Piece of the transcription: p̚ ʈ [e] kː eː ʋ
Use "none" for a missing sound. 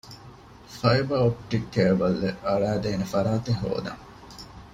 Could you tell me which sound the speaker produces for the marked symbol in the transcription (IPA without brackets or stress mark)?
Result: i